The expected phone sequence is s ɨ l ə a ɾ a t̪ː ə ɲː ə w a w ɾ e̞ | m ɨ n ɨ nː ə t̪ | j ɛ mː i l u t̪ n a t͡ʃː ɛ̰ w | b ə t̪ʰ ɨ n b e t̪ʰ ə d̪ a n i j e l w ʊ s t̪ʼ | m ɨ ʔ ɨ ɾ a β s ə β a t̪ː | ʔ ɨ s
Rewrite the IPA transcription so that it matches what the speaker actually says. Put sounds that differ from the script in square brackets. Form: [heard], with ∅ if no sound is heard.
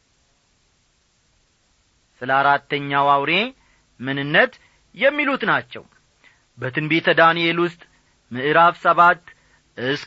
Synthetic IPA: s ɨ l ə a ɾ a t̪ː ə ɲː [a] w a w ɾ e̞ | m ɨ n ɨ nː ə t̪ | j ɛ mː i l u t̪ n a t͡ʃː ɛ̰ w | b ə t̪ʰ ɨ n b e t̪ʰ ə d̪ a n i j e l w ʊ s t̪ʼ | m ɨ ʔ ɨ ɾ a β s ə β a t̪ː | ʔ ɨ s